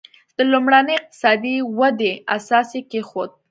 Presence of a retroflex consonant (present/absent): present